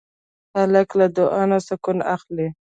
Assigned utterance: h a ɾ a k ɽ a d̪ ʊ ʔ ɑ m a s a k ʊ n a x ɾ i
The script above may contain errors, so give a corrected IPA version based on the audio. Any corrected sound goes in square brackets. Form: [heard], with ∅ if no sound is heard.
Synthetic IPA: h a [l] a k [l] a d̪ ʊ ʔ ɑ [n] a s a k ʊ n a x [l] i